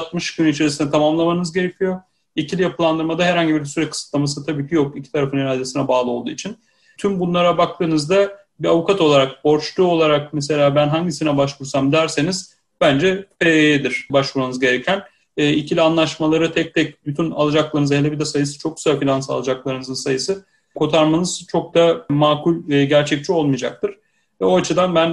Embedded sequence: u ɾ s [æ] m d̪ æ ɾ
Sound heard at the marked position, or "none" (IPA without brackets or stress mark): a